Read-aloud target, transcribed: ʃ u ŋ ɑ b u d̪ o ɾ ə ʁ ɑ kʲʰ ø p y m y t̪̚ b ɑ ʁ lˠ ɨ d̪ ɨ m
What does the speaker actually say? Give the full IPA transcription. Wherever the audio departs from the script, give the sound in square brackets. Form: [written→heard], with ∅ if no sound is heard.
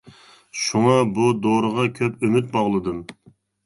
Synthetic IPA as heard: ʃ u ŋ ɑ b u d̪ o ɾ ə ʁ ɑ kʲʰ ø p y m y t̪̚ b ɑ ʁ lˠ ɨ d̪ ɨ m